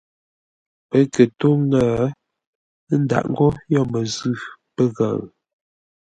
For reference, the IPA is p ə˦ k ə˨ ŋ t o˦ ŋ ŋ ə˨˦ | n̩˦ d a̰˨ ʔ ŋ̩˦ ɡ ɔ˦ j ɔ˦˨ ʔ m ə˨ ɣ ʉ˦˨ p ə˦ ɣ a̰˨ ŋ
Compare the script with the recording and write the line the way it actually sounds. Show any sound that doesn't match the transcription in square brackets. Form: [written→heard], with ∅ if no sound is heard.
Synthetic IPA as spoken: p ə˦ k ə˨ [ŋ→∅] t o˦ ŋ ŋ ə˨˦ | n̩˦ d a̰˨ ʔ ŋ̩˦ ɡ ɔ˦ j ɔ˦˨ [ʔ→∅] m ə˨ [ɣ→z] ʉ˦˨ p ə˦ ɣ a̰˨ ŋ

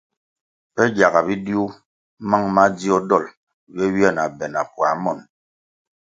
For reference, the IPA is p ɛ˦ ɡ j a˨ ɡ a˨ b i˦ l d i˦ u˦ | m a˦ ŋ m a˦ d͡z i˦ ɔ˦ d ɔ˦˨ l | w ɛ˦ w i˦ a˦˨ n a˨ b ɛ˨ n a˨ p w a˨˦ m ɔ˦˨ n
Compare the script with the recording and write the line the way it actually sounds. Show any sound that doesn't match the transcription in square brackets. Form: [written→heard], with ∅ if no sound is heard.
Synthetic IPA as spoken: p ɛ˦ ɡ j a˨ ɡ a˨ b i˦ [l→∅] d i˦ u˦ | m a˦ ŋ m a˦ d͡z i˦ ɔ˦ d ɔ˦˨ l | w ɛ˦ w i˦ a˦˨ n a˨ b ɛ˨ n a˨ p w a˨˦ m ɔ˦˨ n

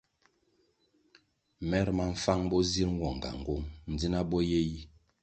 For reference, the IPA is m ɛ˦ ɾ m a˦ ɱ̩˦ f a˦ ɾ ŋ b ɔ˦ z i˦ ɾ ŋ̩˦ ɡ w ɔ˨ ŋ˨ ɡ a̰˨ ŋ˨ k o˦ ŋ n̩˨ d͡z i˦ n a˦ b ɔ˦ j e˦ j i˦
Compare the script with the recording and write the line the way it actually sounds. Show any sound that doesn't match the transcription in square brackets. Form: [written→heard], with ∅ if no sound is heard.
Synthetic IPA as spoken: m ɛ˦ ɾ m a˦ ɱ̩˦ f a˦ [ɾ→∅] ŋ b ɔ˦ z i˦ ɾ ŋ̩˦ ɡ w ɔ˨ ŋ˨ ɡ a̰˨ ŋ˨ [k→ɡ] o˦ ŋ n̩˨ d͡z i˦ n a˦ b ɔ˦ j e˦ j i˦

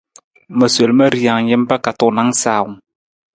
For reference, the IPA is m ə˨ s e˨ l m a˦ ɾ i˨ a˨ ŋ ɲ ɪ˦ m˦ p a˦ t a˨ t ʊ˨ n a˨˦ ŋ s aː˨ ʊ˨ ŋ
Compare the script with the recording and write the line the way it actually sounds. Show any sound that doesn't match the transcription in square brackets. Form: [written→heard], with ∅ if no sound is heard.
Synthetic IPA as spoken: m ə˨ s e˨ l m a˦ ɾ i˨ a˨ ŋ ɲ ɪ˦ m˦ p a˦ [t→k] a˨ t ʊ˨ n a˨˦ ŋ s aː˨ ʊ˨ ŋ

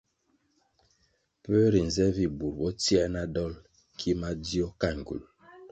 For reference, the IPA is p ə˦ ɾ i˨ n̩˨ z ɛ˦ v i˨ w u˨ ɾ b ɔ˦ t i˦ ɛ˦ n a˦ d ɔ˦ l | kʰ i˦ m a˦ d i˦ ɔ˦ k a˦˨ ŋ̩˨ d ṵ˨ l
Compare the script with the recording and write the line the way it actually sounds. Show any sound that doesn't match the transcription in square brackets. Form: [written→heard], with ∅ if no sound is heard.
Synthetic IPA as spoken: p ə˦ ɾ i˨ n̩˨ z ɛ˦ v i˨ [w→b] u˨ ɾ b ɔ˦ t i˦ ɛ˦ n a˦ d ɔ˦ l | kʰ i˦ m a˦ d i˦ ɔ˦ k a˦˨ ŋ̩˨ [d→ɡ] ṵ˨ l

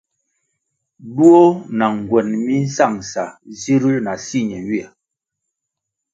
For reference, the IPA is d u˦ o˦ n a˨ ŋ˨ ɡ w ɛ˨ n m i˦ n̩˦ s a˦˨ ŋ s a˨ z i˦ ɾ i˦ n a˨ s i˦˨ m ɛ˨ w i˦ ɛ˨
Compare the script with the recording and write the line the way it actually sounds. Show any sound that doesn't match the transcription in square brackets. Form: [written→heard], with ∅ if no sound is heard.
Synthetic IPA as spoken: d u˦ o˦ n a˨ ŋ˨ ɡ w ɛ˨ n m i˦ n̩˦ s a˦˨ ŋ s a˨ z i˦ ɾ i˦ n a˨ s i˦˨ [m→ɲ] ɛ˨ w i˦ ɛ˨

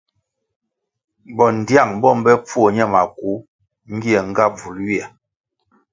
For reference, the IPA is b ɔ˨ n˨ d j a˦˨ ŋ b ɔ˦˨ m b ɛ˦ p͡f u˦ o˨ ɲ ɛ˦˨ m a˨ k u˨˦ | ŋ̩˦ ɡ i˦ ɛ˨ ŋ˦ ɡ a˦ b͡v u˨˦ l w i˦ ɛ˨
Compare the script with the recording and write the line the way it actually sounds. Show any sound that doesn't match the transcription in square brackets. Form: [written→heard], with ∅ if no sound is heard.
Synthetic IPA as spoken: b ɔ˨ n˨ d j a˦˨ ŋ b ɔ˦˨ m b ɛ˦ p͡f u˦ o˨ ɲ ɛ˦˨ m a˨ k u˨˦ | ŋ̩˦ ɡ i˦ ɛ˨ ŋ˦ ɡ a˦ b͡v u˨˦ l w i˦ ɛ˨

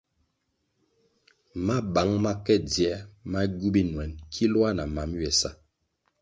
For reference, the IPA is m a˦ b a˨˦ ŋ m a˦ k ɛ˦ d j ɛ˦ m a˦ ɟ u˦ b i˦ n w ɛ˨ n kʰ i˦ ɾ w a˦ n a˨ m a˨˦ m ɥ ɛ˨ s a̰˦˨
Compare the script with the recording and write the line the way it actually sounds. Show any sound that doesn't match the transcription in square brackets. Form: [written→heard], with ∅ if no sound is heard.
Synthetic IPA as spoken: m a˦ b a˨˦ ŋ m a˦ k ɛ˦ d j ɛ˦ m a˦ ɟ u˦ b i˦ n w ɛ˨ n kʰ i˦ [ɾ→l] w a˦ n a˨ m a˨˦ m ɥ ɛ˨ s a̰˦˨

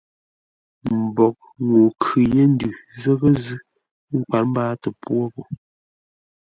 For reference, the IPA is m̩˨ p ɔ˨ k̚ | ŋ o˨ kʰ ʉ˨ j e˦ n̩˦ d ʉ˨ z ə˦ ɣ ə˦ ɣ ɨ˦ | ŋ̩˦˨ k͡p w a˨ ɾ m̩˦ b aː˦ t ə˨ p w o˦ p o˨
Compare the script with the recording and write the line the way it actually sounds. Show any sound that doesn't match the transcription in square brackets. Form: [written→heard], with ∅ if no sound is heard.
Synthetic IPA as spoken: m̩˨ [p→b] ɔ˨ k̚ | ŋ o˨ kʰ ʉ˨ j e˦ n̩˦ d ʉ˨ z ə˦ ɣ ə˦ [ɣ→z] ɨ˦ | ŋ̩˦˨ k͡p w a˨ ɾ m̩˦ b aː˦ t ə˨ p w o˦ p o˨

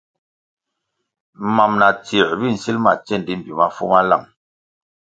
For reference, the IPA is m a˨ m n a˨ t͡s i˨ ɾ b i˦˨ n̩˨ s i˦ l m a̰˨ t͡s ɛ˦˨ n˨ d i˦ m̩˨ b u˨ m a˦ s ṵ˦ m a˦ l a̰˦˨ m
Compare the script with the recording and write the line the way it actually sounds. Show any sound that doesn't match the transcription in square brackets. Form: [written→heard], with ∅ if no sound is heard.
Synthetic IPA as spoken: m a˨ m n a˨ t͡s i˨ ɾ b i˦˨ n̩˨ s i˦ l m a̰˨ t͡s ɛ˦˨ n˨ d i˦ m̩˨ b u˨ m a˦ [s→f] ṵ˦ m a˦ l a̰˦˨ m

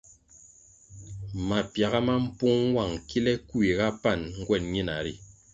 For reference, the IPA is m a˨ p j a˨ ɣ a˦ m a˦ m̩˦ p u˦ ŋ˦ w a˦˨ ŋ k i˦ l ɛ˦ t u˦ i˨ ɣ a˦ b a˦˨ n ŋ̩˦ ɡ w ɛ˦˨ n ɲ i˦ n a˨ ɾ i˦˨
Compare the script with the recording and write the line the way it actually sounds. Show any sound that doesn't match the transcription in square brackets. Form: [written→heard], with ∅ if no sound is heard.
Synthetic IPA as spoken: m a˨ p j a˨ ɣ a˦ m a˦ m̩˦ p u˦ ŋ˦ w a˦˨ ŋ k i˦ l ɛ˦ [t→k] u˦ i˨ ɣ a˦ [b→p] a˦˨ n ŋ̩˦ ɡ w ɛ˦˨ n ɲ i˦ n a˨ ɾ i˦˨

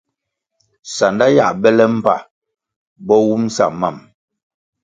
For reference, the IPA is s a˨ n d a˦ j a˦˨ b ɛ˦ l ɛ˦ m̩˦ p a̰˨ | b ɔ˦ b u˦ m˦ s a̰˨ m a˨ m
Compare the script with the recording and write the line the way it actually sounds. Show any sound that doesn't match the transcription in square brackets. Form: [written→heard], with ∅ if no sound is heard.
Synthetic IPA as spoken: s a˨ n d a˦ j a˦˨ b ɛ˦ l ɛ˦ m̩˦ p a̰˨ | b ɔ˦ [b→w] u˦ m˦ s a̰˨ m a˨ m

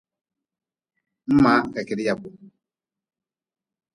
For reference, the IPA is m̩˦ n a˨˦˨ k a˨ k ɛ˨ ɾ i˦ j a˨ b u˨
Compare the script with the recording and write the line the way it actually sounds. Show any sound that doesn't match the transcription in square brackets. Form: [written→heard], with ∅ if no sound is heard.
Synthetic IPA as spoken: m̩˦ [n→m] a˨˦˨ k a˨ k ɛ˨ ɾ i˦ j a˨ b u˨

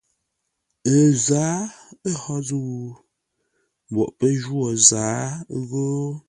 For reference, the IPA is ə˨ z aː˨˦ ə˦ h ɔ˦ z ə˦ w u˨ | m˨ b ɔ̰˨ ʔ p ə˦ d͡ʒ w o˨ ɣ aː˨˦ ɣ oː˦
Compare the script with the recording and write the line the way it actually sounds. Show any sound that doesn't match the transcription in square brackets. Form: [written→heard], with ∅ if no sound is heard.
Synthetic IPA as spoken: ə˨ z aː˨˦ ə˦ h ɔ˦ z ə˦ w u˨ | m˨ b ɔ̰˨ ʔ p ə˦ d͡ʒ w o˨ [ɣ→z] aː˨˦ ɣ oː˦

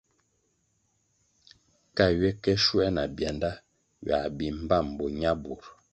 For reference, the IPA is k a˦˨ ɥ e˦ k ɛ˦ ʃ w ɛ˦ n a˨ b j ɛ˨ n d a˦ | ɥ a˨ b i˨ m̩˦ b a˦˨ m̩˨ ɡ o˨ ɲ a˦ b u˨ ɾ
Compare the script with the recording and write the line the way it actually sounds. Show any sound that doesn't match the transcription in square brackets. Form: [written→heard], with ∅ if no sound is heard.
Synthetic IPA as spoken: k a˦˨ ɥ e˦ k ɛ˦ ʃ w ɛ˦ n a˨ b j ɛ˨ n d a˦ | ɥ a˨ b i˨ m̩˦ b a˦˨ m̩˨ [ɡ→b] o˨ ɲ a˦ b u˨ ɾ

